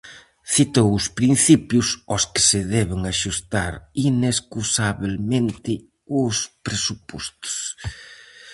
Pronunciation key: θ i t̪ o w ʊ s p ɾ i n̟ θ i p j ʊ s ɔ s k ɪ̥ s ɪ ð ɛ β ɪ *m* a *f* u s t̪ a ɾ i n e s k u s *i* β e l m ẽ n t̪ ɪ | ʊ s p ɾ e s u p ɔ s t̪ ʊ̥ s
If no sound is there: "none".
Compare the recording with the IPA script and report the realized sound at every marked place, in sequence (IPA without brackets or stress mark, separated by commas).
ŋ, ʃ, a